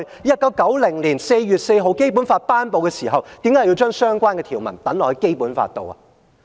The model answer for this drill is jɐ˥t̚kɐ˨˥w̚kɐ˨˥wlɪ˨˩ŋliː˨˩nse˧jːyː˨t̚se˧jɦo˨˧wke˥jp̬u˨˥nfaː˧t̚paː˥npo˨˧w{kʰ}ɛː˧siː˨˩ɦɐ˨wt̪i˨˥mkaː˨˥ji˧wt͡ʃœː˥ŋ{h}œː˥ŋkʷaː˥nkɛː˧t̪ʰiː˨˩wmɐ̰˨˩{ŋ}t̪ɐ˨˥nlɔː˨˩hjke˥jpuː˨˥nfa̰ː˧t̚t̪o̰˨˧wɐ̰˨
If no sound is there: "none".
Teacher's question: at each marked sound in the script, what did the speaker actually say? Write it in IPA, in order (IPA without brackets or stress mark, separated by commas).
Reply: k, s, n